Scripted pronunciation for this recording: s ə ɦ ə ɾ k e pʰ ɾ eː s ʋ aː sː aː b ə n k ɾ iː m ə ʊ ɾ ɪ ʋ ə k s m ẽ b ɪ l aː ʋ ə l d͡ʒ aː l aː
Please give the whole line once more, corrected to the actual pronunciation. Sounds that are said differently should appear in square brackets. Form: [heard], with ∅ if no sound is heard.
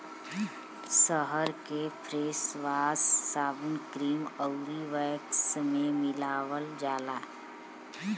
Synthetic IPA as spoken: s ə ɦ ə ɾ k e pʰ ɾ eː s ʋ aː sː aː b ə n k ɾ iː m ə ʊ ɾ [i] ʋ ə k s m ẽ [m] ɪ l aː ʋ ə l d͡ʒ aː l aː